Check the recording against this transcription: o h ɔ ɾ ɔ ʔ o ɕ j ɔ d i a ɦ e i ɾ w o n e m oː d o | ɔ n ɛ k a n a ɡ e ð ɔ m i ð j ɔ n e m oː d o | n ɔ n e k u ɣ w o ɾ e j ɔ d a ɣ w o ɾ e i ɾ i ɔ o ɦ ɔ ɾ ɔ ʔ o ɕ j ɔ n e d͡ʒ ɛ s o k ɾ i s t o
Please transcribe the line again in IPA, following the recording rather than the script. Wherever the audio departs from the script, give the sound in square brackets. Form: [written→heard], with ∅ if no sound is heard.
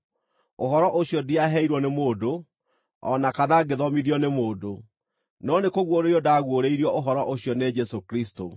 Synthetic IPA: o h ɔ ɾ ɔ ʔ o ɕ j ɔ d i a ɦ [e→ɛ] i ɾ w [o→ɔ] n e m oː d o | ɔ n [ɛ→a] k a n a ɡ e ð ɔ m i ð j ɔ n e m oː d o | n ɔ n e k [u→o] ɣ w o ɾ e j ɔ d a ɣ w o ɾ e i ɾ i ɔ o ɦ ɔ ɾ ɔ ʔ o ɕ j ɔ n e d͡ʒ ɛ s o k ɾ i s t o